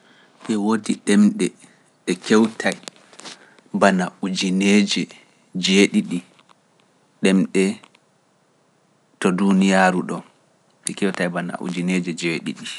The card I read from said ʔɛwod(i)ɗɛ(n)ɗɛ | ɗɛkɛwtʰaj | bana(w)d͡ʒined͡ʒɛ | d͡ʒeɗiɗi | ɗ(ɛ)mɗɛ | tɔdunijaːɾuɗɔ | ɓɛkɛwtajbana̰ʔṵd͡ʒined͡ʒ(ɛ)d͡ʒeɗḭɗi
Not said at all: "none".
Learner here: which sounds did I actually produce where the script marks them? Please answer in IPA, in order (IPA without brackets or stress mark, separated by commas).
i, m, u, ɛ, ɛ